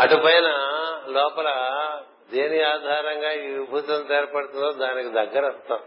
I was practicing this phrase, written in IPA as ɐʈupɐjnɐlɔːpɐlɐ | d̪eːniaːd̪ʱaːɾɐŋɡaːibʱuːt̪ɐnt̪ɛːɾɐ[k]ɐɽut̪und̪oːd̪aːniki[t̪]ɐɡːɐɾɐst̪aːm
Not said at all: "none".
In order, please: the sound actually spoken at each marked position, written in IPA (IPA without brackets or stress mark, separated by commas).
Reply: p, d̪